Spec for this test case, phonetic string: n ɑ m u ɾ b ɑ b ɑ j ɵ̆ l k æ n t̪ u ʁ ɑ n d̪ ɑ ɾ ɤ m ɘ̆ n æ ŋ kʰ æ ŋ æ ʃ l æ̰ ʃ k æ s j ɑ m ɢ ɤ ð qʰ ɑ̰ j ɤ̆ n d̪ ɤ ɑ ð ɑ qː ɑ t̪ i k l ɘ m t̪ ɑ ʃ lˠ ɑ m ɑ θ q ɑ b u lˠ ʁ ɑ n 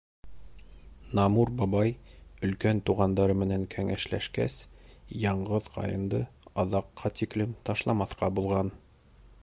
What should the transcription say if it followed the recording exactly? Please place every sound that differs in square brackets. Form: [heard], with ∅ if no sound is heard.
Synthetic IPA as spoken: n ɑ m u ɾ b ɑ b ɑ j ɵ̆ l k æ n t̪ u ʁ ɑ n d̪ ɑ ɾ ɤ m ɘ̆ n æ ŋ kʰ æ ŋ æ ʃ l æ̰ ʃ k æ s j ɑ [ɴ] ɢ ɤ ð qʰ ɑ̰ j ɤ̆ n d̪ ɤ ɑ ð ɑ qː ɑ t̪ i k l ɘ m t̪ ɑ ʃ lˠ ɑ m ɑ θ q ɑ b u lˠ ʁ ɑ n

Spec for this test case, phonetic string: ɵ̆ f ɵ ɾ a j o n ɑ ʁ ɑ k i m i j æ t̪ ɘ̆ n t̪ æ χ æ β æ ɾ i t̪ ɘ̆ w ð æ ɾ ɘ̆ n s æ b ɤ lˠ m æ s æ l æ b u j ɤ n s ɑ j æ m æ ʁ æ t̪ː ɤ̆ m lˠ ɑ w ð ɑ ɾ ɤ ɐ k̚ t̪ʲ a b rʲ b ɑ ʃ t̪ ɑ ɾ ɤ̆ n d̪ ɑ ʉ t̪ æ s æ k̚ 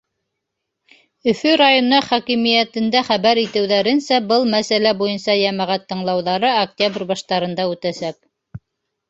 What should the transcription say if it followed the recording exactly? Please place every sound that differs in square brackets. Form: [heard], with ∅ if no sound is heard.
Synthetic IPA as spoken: ɵ̆ f ɵ ɾ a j o n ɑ [χ] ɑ k i m i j æ t̪ ɘ̆ n [d̪] æ χ æ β æ ɾ i t̪ ɘ̆ w ð æ ɾ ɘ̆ n s æ b ɤ lˠ m æ s æ l æ b u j ɤ n s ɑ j æ m æ ʁ æ t̪ː ɤ̆ [ɴ] lˠ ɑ w ð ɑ ɾ ɤ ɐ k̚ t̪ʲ a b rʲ b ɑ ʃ t̪ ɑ ɾ ɤ̆ n d̪ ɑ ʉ t̪ æ s æ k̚

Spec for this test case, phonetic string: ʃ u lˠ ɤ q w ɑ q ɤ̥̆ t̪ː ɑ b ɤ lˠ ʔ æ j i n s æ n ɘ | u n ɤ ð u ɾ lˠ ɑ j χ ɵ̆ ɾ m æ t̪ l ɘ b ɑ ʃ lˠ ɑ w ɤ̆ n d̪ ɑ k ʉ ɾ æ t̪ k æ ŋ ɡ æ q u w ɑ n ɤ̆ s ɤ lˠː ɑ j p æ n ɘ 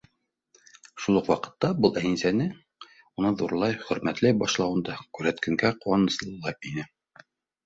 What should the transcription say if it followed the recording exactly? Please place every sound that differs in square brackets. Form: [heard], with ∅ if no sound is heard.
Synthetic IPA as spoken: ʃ u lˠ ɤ q w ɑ q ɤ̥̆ t̪ː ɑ b ɤ lˠ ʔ æ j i n s æ n ɘ | u n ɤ ð u ɾ lˠ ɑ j χ ɵ̆ ɾ m æ t̪ l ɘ b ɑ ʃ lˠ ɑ w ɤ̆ n d̪ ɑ k ʉ ɾ æ t̪ k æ ŋ ɡ æ q u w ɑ n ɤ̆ s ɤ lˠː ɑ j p [i] n ɘ

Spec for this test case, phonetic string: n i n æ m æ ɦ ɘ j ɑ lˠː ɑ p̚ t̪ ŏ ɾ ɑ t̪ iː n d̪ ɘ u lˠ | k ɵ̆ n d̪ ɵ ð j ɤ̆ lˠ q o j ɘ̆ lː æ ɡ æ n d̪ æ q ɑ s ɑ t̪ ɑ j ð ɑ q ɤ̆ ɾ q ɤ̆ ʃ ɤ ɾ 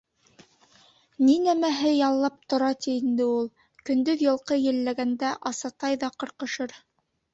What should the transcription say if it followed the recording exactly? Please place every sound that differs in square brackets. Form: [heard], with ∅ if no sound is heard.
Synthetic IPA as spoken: n i n æ m æ ɦ ɘ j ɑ lˠː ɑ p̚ t̪ ŏ ɾ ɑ t̪ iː n d̪ ɘ u lˠ | k ɵ̆ n d̪ ɵ ð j ɤ̆ lˠ q [ɤ] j ɘ̆ lː æ ɡ æ n d̪ æ [ʔ] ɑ s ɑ t̪ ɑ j ð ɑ q ɤ̆ ɾ q ɤ̆ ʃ ɤ ɾ

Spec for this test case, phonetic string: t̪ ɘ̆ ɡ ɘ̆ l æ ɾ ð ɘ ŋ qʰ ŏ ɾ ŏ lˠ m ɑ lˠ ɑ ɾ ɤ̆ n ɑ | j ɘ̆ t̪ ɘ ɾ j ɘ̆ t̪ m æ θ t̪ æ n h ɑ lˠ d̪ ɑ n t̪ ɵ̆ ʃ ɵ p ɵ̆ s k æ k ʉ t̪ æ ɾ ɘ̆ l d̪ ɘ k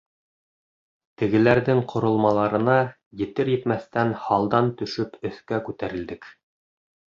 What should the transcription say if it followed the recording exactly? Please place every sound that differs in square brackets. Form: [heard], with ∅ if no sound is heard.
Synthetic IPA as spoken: t̪ ɘ̆ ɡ ɘ̆ l æ ɾ ð ɘ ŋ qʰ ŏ ɾ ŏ lˠ m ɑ lˠ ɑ ɾ ɤ̆ n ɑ | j ɘ̆ t̪ ɘ ɾ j ɘ̆ t̪ m æ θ t̪ æ n h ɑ lˠ d̪ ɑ n t̪ ɵ̆ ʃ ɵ p ɵ̆ [θ] k æ k ʉ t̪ æ ɾ ɘ̆ l d̪ ɘ k

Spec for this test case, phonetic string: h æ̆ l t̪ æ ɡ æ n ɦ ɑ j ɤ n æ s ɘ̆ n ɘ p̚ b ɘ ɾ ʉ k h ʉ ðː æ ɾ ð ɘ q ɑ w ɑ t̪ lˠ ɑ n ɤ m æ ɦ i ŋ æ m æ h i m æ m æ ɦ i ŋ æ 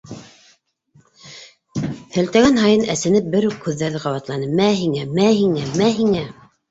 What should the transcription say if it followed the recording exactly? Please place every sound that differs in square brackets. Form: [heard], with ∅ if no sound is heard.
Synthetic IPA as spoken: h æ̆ l t̪ æ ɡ æ n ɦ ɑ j ɤ n æ s ɘ̆ n ɘ p̚ b ɘ ɾ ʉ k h ʉ ðː æ ɾ ð ɘ q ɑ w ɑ t̪ lˠ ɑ n ɤ m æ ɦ i ŋ æ m æ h i [ŋ] æ m æ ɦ i ŋ æ

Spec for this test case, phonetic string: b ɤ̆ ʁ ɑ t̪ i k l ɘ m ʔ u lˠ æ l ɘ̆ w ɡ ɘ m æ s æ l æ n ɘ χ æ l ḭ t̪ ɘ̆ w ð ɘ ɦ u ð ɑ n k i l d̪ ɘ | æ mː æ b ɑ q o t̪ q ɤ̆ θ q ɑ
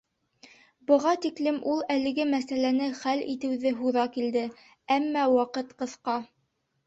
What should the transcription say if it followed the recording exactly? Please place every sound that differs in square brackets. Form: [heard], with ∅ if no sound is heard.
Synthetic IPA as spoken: b ɤ̆ ʁ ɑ t̪ i k l ɘ m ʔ u lˠ æ l ɘ̆ [∅] ɡ ɘ m æ s æ l æ n ɘ χ æ l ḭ t̪ ɘ̆ w ð ɘ ɦ u ð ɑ [∅] k i l d̪ ɘ | æ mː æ [w] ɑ q [ɤ] t̪ q ɤ̆ θ q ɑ

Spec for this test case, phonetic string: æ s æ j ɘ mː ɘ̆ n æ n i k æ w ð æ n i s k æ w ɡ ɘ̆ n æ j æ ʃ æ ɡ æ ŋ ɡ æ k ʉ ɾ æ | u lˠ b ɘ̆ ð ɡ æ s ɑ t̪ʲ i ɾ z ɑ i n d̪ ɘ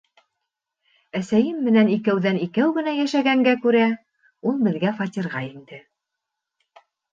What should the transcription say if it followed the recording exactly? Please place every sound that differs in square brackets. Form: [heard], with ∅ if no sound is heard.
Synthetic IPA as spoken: æ s æ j ɘ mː ɘ̆ n æ n i k æ w ð æ n i [∅] k æ w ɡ ɘ̆ n æ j æ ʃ æ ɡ æ ŋ ɡ æ k ʉ ɾ æ | u lˠ b ɘ̆ ð ɡ æ [f] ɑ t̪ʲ i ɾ [ʁ] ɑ i n d̪ ɘ

